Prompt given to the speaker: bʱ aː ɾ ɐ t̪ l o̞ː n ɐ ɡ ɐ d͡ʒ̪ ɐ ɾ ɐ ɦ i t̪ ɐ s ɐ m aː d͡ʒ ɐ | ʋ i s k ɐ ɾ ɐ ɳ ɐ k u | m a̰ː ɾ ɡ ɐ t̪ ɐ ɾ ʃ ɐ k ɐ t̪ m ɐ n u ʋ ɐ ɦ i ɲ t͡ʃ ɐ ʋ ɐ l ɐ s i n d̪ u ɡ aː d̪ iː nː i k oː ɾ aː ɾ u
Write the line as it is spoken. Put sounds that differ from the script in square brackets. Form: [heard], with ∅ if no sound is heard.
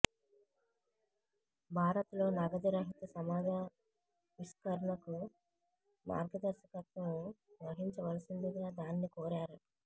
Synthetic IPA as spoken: bʱ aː ɾ ɐ t̪ l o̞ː n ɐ ɡ ɐ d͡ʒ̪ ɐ ɾ ɐ ɦ i t̪ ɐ s ɐ m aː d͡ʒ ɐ | ʋ i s k ɐ ɾ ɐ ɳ ɐ k u | m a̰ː ɾ ɡ ɐ [d̪] ɐ ɾ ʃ ɐ k ɐ t̪ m ɐ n u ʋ ɐ ɦ i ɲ t͡ʃ ɐ ʋ ɐ l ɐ s i n d̪ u ɡ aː d̪ [aː] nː i k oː ɾ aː ɾ u